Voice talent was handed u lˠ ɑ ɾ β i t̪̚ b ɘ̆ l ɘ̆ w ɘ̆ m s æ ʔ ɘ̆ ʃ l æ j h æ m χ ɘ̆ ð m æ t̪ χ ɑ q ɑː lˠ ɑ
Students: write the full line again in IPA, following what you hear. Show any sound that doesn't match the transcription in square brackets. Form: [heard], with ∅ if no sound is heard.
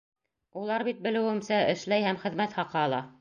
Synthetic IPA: u lˠ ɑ ɾ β i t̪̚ b ɘ̆ l ɘ̆ w ɘ̆ m s æ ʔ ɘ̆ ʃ l æ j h æ m χ ɘ̆ ð m æ t̪ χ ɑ q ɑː lˠ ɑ